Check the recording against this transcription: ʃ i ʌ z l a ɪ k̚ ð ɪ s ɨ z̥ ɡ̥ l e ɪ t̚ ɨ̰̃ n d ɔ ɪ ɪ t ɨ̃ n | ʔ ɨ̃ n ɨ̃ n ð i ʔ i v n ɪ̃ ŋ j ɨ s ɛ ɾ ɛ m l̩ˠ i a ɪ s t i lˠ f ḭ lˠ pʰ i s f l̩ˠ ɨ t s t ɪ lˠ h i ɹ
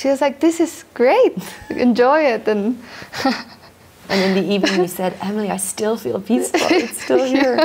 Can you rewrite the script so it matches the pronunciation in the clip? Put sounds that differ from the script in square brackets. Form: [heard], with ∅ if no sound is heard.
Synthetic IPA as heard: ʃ i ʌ z l a ɪ k̚ ð ɪ s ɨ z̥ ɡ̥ [ɹ] e ɪ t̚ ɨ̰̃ n [d͡ʒ] ɔ ɪ ɪ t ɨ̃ n | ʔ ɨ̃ n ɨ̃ n ð i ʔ i v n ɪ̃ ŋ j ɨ s ɛ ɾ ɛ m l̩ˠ i a ɪ s t [ɪ] lˠ f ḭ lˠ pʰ i s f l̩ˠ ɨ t s t ɪ lˠ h i ɹ

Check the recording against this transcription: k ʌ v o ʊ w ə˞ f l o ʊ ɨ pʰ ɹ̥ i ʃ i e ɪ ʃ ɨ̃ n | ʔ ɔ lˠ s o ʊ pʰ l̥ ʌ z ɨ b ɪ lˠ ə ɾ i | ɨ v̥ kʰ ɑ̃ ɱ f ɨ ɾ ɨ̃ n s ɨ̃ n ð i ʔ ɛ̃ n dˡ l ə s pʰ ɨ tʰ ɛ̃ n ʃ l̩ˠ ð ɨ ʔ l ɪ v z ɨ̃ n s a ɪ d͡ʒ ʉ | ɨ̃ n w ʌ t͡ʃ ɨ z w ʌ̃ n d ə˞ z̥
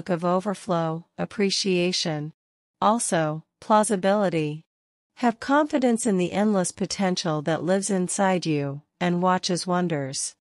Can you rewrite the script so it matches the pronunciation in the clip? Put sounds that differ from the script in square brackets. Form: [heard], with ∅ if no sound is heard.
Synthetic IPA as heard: k ʌ v o ʊ [v] ə˞ f l o ʊ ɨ pʰ ɹ̥ i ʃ i e ɪ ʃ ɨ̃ n | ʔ ɔ lˠ s o ʊ pʰ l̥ [ɑ] z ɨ b ɪ lˠ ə ɾ i | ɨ v̥ kʰ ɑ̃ ɱ f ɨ ɾ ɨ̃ n s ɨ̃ n ð i ʔ ɛ̃ n dˡ l ə s pʰ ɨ tʰ ɛ̃ n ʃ l̩ˠ ð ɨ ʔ l ɪ v z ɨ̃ n s a ɪ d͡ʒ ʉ | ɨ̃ n w [ɑ] t͡ʃ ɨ z w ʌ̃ n d ə˞ z̥

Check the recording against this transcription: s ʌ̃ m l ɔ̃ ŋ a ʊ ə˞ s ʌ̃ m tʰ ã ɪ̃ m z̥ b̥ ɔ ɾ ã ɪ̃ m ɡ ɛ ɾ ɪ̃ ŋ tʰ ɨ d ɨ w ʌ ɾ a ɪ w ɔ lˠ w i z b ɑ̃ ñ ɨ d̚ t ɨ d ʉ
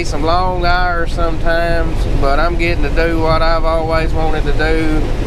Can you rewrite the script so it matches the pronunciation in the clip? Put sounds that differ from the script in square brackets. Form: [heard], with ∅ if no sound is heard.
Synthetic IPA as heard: s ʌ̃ m l ɔ̃ ŋ a ʊ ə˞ s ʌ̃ m tʰ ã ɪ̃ m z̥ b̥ [ʌ] ɾ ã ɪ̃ m ɡ ɛ ɾ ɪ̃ ŋ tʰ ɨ d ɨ w ʌ ɾ a ɪ [v] ɔ lˠ w i z [w] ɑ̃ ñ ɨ d̚ t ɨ d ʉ

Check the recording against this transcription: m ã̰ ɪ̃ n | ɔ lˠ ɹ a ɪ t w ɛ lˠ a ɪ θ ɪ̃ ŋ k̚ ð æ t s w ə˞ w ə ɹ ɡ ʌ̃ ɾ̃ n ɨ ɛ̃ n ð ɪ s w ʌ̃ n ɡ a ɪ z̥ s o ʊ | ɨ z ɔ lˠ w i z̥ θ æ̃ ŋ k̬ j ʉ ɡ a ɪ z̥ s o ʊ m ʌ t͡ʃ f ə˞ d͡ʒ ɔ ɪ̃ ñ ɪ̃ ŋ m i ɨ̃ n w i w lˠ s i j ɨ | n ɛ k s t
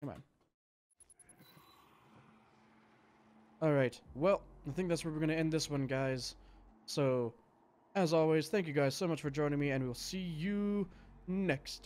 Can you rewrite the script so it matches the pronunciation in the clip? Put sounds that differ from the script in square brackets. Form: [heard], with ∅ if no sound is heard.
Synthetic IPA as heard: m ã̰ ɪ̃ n | ɔ lˠ ɹ a ɪ t w ɛ lˠ a ɪ θ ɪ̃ ŋ k̚ ð æ t s w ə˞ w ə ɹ ɡ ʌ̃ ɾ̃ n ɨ ɛ̃ n ð ɪ s w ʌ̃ n ɡ a ɪ z̥ s o ʊ | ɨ z ɔ lˠ w i z̥ θ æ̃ ŋ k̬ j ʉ ɡ a ɪ z̥ s o ʊ m ʌ t͡ʃ f ə˞ d͡ʒ [ɔ̃] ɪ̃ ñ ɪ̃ ŋ m i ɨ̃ n w i w lˠ s i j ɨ | n ɛ k s t

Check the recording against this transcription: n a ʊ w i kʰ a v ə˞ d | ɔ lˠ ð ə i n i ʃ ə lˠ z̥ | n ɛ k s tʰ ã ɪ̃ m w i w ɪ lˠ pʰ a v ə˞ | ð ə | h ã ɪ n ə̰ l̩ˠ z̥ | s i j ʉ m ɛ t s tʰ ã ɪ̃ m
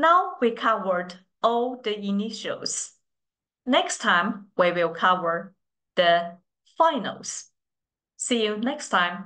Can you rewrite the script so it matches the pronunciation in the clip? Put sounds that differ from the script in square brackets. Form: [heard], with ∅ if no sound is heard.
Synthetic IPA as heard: n a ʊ w i kʰ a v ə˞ d | ɔ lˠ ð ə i n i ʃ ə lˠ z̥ | n ɛ k s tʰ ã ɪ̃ m w i w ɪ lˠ [kʰ] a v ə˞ | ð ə | [f] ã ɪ n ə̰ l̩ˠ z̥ | s i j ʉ [n] ɛ [k] s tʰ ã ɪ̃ m

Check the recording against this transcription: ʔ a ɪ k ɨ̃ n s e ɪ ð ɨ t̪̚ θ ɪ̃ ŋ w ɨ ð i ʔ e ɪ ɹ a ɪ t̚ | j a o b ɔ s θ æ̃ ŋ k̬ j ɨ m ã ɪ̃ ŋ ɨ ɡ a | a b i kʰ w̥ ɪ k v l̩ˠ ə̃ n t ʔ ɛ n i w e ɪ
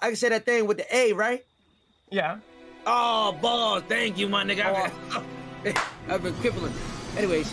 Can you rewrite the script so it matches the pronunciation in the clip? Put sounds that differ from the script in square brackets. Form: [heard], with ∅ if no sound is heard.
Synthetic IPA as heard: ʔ a ɪ k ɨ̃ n s e ɪ ð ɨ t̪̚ θ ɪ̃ ŋ w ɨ ð i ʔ e ɪ ɹ a ɪ t̚ | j [æ] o b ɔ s θ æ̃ ŋ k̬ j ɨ m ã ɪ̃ [n] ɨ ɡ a | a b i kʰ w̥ ɪ [∅] v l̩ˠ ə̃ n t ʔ ɛ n i w e ɪ

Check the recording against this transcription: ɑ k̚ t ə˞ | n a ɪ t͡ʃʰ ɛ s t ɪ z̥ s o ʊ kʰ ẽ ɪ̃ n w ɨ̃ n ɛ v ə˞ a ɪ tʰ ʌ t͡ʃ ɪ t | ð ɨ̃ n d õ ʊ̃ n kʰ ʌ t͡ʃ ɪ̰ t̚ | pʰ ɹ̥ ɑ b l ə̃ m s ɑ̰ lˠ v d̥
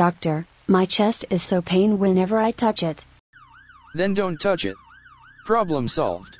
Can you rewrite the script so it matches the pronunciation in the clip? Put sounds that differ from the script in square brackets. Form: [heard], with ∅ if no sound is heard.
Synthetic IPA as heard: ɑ k̚ t ə˞ | [m] a ɪ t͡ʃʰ ɛ s t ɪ z̥ s o ʊ [pʰ] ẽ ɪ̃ n w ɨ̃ n ɛ v ə˞ a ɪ tʰ ʌ t͡ʃ ɪ t | ð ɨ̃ n d õ ʊ̃ n [tʰ] ʌ t͡ʃ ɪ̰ t̚ | pʰ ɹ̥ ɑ b l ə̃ m s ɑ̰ lˠ v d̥

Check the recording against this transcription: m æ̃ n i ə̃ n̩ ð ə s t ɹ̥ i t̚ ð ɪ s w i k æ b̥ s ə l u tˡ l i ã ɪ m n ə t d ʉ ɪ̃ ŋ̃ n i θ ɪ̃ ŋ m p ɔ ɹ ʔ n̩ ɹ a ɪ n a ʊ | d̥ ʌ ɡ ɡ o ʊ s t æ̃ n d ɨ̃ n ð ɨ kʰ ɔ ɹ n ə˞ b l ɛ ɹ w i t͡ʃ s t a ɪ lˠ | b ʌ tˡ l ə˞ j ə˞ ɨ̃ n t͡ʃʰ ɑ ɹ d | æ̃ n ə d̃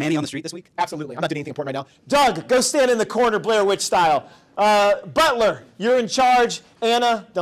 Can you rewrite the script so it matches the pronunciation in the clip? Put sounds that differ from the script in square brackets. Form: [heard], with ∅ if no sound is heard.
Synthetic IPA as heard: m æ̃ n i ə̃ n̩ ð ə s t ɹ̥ i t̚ ð ɪ s w i k æ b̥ s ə l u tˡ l i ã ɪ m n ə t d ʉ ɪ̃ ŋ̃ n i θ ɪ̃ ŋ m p ɔ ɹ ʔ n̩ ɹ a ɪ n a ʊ | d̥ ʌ ɡ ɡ o ʊ s t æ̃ n d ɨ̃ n ð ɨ kʰ ɔ ɹ n ə˞ b l ɛ ɹ w [ɪ] t͡ʃ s t a ɪ lˠ | b ʌ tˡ l ə˞ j ə˞ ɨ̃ n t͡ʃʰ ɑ ɹ [d͡ʒ] | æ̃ n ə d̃

